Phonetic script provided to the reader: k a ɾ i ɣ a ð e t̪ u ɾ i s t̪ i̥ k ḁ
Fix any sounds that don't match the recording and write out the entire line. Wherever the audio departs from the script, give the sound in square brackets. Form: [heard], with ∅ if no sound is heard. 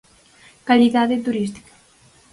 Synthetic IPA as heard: k a [l] i [ð] a ð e t̪ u ɾ i s t̪ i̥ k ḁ